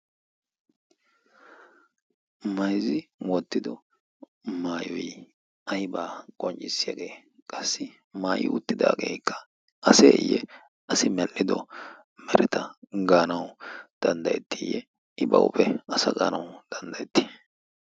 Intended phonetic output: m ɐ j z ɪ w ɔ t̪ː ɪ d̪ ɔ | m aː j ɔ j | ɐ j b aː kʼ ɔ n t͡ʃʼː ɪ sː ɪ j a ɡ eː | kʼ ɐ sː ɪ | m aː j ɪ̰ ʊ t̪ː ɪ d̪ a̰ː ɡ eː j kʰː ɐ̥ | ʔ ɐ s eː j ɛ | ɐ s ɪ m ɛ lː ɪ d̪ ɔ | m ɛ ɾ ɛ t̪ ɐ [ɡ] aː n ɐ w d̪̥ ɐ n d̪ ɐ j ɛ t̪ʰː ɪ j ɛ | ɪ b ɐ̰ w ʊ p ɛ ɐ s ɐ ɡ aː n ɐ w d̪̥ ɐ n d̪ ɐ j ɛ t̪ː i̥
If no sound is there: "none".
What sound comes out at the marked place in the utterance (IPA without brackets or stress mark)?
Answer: ɡ